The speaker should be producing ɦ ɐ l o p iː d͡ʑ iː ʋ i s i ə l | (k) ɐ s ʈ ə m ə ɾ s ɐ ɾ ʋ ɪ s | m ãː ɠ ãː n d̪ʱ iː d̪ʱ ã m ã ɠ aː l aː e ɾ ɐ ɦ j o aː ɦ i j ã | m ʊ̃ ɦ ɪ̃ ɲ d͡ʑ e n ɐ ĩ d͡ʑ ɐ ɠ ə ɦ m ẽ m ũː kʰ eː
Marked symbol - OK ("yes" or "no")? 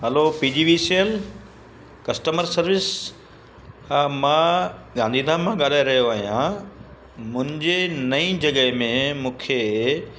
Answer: yes